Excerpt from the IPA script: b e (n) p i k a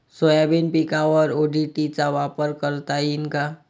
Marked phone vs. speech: correct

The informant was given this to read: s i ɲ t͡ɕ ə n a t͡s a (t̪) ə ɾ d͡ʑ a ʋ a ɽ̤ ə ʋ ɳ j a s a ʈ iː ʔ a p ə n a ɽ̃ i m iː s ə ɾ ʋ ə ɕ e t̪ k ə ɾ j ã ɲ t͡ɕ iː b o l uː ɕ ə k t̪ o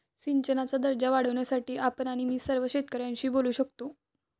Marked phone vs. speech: incorrect: d̪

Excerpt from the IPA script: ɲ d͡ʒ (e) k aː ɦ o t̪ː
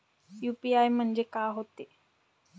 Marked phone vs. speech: correct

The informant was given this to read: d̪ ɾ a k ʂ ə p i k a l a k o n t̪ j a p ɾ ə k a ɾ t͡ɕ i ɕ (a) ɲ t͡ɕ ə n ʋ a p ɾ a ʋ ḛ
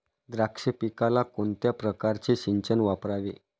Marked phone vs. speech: incorrect: i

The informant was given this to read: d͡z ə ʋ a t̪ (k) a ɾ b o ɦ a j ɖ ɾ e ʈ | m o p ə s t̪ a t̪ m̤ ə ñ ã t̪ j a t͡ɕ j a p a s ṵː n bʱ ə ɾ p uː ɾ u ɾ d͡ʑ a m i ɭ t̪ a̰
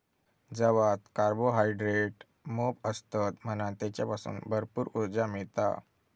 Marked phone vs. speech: correct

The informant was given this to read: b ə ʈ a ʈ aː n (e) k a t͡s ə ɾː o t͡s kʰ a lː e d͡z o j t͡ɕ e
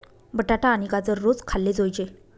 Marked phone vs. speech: incorrect: i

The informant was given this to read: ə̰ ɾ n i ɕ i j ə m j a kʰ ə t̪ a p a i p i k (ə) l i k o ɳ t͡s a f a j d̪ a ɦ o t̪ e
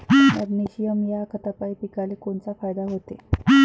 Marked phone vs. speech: incorrect: a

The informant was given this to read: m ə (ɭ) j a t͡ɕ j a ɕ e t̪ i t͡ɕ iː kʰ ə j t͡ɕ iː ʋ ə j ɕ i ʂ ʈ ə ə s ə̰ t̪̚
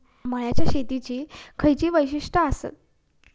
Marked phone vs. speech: correct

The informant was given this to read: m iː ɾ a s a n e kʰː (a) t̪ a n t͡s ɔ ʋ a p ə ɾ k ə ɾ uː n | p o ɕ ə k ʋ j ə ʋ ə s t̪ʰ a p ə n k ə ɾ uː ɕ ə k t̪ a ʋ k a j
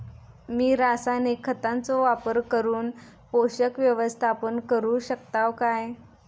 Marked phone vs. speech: incorrect: ə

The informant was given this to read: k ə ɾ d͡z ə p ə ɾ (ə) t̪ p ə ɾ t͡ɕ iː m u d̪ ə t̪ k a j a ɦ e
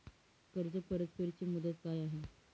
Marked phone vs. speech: correct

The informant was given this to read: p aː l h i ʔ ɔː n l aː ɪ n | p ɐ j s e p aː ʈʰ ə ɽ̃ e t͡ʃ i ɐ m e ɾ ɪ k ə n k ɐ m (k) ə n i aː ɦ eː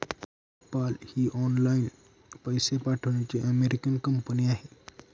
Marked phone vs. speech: incorrect: p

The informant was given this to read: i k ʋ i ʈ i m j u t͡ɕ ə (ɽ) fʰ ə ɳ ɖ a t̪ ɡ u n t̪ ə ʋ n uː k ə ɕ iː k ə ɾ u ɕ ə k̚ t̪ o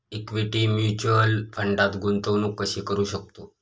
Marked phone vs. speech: incorrect: l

